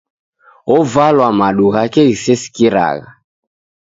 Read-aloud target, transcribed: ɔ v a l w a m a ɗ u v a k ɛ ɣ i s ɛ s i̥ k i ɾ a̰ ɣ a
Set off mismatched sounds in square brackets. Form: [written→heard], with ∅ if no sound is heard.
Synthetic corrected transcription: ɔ v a l w a m a ɗ u [v→ɣ] a k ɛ ɣ i s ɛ s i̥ k i ɾ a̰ ɣ a